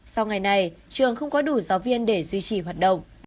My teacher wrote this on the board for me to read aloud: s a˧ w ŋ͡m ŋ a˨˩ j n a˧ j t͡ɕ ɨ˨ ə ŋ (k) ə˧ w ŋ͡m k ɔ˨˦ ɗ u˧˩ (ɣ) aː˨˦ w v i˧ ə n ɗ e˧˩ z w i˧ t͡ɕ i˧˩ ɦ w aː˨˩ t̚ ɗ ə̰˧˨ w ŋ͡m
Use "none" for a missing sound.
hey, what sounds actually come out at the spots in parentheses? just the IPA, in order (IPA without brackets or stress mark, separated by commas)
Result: x, z